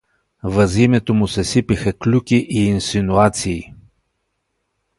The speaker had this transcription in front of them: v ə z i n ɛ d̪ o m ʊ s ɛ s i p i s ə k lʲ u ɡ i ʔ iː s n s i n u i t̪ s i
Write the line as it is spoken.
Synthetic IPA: v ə z i m ɛ t̪ o m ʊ s ɛ s i p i x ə k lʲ u k i ʔ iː n s i n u a t̪ s iː